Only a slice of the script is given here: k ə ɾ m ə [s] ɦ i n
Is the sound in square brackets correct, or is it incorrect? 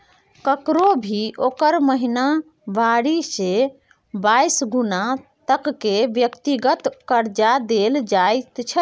incorrect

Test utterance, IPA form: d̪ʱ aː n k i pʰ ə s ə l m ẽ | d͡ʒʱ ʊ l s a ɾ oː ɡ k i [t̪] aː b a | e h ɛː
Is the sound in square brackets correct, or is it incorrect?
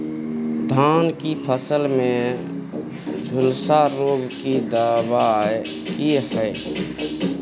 incorrect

